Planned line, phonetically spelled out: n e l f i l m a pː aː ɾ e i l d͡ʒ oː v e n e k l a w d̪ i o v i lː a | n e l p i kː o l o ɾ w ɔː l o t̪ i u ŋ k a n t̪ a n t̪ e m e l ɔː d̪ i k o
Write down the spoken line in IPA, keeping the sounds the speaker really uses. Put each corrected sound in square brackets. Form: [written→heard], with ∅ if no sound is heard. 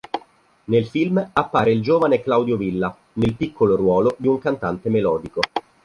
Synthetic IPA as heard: n e l f i l m a pː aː ɾ e i l d͡ʒ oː v [e→a] n e k l a w d̪ [i→j] o v i lː a | n e l p i kː o l o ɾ w ɔː l o [t̪→d̪] i u ŋ k a n t̪ a n t̪ e m e l ɔː d̪ i k o